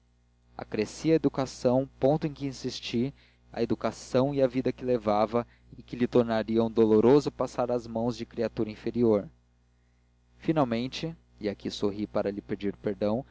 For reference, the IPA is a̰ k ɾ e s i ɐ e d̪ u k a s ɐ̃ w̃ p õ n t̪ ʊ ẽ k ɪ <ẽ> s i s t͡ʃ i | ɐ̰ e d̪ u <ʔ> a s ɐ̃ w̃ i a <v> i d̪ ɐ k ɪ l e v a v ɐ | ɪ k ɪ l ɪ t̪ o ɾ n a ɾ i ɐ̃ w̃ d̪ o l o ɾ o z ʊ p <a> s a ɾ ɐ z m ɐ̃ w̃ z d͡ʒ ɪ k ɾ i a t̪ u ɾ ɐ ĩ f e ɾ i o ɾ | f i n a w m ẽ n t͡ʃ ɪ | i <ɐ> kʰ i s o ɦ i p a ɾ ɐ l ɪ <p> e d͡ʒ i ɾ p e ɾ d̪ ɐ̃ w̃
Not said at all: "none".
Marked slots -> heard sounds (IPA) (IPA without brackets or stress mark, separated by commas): ĩ, k, v, a, a, p